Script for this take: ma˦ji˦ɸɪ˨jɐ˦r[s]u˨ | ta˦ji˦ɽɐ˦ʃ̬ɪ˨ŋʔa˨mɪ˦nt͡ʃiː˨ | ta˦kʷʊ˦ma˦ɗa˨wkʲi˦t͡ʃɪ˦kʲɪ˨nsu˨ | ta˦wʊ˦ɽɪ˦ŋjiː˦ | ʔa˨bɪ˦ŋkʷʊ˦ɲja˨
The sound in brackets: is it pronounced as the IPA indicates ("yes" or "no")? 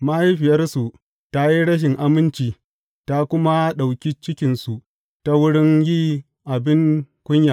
yes